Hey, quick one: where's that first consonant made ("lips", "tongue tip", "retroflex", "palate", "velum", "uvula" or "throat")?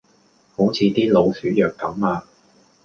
throat